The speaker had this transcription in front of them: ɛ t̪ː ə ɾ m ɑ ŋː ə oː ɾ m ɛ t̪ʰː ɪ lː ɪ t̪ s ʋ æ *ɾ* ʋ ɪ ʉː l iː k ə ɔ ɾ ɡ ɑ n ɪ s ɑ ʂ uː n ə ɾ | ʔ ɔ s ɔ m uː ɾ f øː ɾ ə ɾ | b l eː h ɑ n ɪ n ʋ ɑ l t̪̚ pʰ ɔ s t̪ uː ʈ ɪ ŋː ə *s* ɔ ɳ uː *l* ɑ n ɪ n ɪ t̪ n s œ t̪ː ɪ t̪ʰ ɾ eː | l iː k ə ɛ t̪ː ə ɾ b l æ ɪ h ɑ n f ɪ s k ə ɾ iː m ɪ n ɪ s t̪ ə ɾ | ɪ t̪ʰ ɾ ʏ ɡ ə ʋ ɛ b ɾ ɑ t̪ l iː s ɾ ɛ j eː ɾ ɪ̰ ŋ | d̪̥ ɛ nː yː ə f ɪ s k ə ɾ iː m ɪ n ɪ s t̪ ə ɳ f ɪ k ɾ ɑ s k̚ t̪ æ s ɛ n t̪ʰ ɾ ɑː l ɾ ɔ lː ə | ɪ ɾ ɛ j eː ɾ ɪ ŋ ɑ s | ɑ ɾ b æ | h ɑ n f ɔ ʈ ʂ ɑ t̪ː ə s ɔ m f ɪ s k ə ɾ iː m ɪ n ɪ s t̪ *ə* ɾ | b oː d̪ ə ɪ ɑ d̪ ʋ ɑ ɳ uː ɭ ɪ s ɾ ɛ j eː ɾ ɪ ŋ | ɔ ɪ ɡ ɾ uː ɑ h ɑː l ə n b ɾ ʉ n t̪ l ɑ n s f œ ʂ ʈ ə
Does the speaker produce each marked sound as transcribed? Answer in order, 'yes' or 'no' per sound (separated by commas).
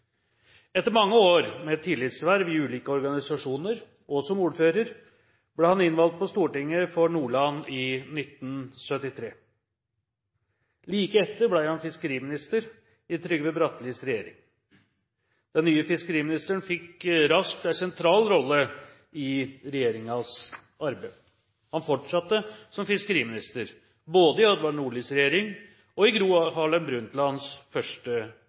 yes, no, no, yes